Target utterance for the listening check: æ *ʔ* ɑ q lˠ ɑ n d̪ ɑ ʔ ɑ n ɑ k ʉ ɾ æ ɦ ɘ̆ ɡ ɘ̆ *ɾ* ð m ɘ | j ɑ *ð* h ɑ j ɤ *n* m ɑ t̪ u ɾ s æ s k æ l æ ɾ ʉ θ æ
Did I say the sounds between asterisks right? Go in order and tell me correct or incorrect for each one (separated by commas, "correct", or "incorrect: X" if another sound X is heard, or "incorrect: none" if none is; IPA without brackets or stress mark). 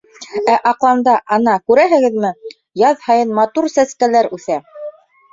correct, incorrect: none, correct, correct